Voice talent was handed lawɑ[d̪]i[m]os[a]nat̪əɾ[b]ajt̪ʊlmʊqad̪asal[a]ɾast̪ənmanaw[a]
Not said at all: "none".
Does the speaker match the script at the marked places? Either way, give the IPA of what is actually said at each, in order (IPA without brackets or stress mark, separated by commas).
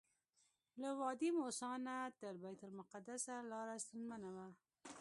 d̪, m, ɑ, b, ɑ, a